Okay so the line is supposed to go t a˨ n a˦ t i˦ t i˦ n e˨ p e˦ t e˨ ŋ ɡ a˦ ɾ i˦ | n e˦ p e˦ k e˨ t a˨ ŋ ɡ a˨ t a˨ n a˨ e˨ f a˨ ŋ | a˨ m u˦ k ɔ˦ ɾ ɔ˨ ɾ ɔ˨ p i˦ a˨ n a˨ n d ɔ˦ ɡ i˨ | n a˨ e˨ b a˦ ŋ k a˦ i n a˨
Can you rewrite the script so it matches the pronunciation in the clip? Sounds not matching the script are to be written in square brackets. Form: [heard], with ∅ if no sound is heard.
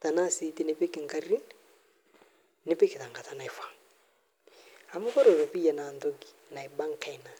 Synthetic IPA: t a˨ n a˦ [s] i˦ t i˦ n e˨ p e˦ [k] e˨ ŋ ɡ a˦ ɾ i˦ | n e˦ p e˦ k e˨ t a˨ ŋ ɡ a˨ t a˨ n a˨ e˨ f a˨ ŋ | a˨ m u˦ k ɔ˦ ɾ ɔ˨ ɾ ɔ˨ p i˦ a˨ n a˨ n d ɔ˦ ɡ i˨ | n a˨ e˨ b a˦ ŋ k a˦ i n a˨

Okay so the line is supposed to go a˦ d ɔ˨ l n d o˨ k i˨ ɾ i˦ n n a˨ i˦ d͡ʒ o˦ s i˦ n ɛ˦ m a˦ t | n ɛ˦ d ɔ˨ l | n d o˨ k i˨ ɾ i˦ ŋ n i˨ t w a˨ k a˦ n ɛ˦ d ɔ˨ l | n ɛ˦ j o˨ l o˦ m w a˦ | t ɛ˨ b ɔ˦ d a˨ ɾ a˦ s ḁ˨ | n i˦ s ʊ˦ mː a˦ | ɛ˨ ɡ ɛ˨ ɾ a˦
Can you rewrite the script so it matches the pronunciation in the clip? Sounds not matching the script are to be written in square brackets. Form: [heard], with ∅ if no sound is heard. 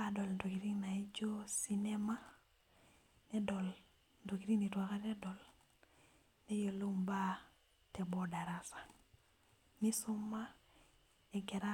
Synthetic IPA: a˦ d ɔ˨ l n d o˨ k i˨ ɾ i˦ [ŋ] n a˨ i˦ d͡ʒ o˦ s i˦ n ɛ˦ m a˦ [∅] | n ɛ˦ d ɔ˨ l | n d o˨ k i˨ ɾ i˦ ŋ n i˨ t w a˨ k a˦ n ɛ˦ d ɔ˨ l | n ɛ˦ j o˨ l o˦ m [b] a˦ | t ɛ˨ b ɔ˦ d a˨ ɾ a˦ s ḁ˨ | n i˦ s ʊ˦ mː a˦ | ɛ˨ ɡ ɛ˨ ɾ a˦

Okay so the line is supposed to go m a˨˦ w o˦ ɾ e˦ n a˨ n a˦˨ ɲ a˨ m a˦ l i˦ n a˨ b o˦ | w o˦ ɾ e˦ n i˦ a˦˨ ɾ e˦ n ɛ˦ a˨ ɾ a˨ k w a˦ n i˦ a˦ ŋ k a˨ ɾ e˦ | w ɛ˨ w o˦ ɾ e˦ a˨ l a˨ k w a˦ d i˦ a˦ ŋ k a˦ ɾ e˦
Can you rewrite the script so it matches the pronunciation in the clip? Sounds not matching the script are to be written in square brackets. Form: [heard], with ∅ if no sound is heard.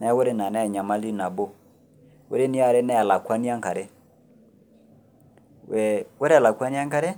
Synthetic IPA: [n] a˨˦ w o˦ ɾ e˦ n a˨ n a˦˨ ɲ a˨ m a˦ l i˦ n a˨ b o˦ | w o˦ ɾ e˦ n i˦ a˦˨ ɾ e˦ n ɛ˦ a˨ [l] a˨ k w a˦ n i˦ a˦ ŋ k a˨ ɾ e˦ | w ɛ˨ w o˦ ɾ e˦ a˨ l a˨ k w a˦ [n] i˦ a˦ ŋ k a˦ ɾ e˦

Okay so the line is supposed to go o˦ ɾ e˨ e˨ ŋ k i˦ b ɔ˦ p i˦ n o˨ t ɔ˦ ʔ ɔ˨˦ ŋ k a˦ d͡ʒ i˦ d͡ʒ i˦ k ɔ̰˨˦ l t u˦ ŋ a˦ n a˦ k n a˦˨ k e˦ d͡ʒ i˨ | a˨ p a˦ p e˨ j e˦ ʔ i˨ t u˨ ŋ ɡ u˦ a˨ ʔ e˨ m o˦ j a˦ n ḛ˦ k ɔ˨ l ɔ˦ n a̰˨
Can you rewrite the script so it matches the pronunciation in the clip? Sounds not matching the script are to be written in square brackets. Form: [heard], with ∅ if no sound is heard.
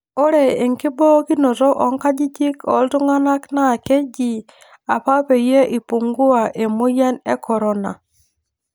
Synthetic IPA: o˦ ɾ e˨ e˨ ŋ k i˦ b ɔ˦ [k] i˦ n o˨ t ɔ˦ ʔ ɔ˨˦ ŋ k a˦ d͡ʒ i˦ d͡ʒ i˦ k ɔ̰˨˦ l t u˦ ŋ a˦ n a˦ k n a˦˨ k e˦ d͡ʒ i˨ | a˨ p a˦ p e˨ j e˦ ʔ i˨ [p] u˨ ŋ ɡ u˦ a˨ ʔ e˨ m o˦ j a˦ n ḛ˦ k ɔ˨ [ɾ] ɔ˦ n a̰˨

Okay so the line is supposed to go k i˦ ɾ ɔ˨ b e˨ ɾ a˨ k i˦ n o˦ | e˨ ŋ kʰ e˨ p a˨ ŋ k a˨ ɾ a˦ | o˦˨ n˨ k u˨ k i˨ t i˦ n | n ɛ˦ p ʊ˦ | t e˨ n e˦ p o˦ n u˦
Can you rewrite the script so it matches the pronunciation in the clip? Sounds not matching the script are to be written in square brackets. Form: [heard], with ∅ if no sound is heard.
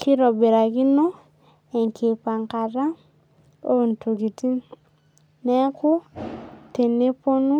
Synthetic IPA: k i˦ ɾ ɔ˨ b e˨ ɾ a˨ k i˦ n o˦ | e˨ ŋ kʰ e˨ p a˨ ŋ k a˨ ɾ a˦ | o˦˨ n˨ [t] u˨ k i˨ t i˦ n | n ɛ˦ [k] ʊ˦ | t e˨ n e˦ p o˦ n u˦

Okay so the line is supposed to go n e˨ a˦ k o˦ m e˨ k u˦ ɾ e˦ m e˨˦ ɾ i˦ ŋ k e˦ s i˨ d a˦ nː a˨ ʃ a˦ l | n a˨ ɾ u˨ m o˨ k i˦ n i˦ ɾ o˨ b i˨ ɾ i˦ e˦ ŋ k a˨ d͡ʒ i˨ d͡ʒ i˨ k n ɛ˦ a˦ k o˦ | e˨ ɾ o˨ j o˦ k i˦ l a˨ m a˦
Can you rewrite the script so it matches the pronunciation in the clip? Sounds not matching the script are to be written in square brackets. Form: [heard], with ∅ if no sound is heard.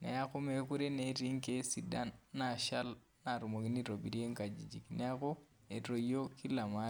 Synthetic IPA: n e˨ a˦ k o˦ m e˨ k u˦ ɾ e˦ [n] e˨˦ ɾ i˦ ŋ k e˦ s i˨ d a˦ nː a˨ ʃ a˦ l | n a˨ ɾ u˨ m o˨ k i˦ n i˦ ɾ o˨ b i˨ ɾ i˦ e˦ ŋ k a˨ d͡ʒ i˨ d͡ʒ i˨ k n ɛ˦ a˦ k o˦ | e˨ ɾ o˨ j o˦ k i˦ l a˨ m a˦

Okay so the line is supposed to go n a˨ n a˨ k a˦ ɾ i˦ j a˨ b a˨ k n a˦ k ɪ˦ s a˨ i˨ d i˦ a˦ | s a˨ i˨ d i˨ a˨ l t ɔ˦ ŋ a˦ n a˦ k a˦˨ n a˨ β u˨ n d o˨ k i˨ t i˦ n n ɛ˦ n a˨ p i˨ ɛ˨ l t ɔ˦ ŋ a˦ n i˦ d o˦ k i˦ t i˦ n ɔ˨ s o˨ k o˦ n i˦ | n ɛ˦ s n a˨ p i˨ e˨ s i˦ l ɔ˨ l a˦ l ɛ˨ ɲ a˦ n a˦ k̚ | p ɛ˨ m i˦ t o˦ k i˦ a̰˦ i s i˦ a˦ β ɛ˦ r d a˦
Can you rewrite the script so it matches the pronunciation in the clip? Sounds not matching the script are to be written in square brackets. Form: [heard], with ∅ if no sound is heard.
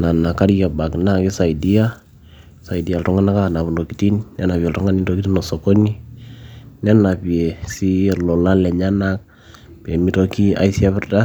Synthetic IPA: n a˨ n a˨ k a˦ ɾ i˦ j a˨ b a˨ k n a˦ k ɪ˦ s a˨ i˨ d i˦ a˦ | s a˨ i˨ d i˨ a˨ l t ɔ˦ ŋ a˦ n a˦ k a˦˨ n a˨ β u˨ n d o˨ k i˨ t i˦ n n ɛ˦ n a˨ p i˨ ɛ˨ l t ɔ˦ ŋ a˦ n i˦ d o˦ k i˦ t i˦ n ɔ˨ s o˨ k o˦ n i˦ | n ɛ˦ [∅] n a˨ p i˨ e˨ s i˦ l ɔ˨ l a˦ l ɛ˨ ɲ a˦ n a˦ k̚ | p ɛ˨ m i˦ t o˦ k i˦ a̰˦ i s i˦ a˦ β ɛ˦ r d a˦

